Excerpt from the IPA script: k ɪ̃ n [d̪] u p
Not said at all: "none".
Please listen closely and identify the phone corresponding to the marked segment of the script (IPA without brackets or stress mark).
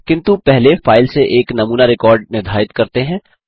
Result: t̪